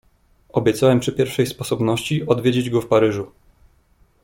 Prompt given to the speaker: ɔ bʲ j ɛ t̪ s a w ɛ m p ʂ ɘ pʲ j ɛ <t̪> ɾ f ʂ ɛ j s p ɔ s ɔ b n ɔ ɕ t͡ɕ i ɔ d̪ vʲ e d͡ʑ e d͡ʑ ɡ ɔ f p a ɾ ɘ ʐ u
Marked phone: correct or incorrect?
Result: incorrect